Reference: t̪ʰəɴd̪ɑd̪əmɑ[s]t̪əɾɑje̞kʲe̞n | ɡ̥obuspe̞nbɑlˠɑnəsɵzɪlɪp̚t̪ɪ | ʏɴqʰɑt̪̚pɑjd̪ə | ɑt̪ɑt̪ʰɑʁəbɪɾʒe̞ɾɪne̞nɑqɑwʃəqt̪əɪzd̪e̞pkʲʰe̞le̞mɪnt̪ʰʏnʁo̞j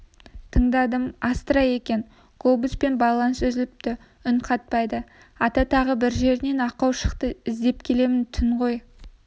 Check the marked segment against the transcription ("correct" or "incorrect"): correct